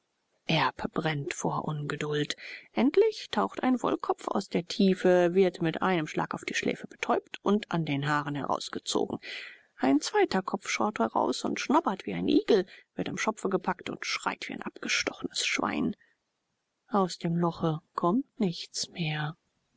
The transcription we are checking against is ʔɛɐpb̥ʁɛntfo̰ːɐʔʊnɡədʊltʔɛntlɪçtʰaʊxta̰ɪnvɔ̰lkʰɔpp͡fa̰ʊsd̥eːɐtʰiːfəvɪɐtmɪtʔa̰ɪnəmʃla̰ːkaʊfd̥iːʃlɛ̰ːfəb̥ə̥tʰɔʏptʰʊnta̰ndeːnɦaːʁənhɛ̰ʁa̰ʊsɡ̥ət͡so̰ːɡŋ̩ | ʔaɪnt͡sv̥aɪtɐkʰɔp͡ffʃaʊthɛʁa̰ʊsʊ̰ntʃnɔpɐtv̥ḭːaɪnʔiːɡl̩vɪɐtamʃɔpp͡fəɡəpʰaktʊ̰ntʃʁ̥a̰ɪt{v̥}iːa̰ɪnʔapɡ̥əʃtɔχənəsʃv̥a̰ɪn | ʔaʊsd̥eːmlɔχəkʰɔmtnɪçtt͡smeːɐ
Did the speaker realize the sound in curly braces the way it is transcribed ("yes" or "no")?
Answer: yes